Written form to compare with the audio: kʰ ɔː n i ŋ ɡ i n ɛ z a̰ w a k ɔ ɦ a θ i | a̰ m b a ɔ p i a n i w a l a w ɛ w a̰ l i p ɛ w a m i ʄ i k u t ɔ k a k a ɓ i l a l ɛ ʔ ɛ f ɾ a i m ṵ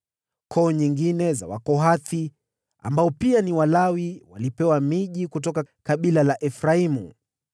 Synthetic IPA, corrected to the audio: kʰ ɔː ɲ i ŋ ɡ i n ɛ z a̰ w a k ɔ ɦ a θ i | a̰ m b a ɔ p i a n i w a l a w i w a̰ l i p ɛ w a m i ʄ i k u t ɔ k a k a ɓ i l a l a ʔ ɛ f ɾ a i m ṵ